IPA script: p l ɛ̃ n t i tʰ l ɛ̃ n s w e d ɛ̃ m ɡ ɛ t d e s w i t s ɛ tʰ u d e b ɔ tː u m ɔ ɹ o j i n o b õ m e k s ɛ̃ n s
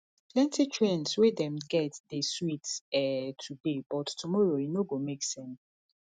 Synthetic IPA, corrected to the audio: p l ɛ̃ n t i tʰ ɹ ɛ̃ n s w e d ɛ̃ m ɡ ɛ t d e s w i t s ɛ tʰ u d e b ɔ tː u m ɔ ɹ o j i n o ɡ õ m e k s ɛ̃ n s